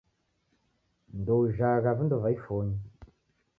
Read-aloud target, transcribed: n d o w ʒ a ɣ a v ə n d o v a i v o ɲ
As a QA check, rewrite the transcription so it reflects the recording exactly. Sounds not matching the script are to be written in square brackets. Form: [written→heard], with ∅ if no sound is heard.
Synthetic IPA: n d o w ʒ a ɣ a v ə n d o v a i [v→f] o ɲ